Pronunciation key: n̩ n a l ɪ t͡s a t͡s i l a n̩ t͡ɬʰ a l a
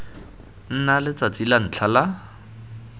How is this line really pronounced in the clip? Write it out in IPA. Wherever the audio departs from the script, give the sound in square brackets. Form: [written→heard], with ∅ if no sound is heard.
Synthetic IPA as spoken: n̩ n a l ɪ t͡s a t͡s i l a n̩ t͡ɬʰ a l a